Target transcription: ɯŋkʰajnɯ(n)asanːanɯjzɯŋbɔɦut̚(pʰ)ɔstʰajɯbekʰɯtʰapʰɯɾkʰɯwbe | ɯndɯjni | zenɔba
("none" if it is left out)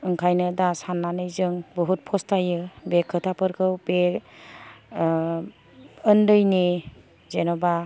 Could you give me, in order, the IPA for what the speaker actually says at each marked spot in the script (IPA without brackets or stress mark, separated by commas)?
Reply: d, pʰ